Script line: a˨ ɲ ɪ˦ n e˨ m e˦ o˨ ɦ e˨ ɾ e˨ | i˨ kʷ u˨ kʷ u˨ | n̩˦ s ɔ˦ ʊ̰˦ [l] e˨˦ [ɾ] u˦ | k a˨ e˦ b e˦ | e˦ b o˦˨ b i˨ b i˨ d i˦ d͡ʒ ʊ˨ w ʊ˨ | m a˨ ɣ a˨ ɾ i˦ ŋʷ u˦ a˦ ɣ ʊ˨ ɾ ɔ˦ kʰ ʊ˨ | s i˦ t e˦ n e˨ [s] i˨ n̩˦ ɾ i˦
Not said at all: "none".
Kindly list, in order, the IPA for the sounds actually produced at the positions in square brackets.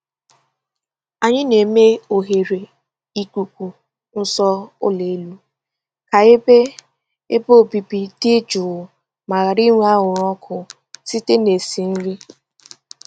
l, l, s

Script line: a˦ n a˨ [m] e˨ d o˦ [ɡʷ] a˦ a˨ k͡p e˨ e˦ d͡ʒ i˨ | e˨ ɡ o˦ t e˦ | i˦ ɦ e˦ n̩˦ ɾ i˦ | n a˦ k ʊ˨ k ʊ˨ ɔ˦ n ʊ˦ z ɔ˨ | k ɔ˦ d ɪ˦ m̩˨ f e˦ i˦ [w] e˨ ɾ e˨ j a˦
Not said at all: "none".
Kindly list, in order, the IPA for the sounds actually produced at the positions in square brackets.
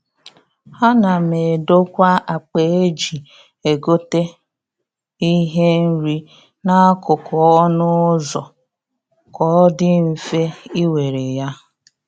m, kʷ, w

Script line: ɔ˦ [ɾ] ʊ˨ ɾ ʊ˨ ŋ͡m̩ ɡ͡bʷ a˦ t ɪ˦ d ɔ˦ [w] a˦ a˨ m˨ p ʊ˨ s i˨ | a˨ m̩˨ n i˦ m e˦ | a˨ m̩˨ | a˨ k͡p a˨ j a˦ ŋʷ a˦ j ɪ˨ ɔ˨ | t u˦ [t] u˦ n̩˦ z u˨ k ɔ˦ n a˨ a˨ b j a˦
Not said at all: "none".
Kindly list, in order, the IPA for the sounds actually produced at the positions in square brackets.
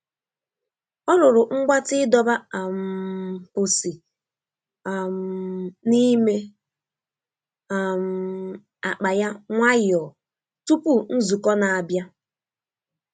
ɾ, b, p

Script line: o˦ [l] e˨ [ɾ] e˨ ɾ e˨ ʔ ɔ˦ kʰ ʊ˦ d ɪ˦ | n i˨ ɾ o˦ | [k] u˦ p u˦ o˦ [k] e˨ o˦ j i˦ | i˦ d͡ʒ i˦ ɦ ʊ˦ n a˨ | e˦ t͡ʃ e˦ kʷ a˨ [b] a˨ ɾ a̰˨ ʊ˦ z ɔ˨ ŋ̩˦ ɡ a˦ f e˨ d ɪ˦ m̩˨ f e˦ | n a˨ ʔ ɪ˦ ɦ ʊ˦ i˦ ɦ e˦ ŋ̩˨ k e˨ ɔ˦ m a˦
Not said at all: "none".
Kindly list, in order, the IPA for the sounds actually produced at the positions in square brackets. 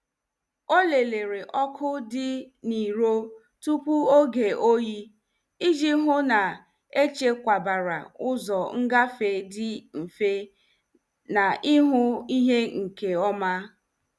l, l, t, ɡ, b

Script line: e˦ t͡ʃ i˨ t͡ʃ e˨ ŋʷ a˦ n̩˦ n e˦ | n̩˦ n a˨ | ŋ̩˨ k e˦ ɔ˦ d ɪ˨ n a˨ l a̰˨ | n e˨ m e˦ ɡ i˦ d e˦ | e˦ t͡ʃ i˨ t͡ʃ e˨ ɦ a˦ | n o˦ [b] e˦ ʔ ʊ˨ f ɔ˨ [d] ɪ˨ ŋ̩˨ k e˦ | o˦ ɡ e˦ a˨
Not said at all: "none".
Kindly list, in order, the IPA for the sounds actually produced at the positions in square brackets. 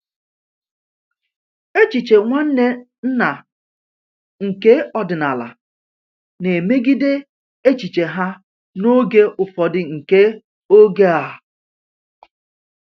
ɡ, d

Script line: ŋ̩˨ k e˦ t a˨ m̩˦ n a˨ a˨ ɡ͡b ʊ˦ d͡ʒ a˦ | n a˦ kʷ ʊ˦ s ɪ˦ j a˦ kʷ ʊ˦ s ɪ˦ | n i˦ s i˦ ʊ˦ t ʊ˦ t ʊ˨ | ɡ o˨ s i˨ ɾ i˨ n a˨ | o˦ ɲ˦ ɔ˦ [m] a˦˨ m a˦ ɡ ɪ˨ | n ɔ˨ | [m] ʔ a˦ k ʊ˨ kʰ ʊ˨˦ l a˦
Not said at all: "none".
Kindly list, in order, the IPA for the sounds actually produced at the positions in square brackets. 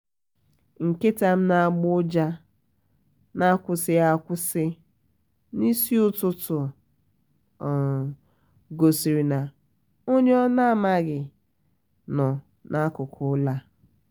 n, n

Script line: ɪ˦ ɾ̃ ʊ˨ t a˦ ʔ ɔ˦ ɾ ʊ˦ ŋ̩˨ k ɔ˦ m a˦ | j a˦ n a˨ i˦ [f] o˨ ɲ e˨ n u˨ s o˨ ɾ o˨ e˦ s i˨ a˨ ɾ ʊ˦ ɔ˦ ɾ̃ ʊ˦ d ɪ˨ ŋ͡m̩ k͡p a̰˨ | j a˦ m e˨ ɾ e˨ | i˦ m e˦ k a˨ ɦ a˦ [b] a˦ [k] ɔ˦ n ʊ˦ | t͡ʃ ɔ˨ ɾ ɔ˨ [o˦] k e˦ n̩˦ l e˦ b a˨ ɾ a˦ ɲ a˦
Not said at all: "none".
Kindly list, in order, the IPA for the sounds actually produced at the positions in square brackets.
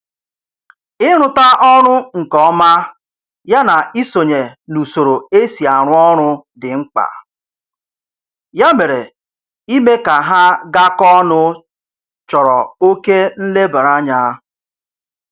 s, ɡ, k, o˦

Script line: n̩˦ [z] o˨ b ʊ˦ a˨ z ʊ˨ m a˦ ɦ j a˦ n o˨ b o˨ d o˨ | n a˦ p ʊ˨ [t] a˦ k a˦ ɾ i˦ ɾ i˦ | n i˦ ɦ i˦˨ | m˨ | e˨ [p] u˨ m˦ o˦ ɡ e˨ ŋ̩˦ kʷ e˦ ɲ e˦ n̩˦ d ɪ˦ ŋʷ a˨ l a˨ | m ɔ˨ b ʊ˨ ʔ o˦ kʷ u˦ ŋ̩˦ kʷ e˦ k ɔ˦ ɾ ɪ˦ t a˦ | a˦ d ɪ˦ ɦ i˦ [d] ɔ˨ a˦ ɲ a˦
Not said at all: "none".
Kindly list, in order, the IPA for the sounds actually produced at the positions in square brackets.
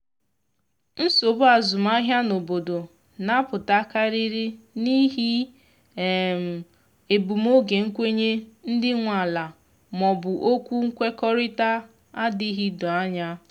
s, t, b, d

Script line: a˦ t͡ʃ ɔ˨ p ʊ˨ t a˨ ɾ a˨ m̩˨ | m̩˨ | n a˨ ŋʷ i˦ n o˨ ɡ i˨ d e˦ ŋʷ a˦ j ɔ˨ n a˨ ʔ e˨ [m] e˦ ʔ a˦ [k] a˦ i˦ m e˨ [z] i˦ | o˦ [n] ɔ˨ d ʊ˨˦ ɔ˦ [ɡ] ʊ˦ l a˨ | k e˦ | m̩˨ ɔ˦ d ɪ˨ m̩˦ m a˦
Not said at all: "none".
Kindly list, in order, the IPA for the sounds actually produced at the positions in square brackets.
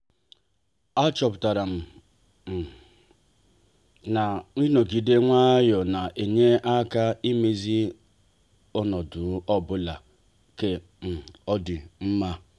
ɲ, k, z, n, b

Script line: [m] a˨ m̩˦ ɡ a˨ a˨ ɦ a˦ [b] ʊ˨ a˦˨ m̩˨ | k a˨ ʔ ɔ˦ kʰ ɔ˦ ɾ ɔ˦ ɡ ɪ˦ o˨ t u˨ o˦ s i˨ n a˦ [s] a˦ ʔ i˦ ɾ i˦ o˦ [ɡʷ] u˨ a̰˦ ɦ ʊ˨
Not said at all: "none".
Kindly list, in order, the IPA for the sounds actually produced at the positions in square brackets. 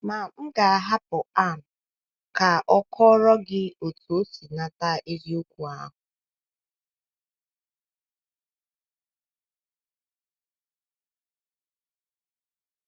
m, p, t, kʷ

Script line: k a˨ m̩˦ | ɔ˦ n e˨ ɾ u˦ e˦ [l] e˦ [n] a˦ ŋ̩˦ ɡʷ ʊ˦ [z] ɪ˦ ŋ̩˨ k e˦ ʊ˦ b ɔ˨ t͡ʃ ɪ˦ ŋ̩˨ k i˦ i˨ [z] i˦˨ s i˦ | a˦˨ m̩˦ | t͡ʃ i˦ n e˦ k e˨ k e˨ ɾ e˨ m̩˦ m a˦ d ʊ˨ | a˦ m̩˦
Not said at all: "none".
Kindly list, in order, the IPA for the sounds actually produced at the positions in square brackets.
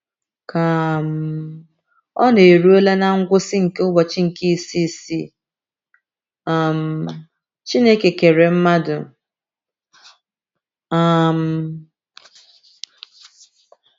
l, n, s, s

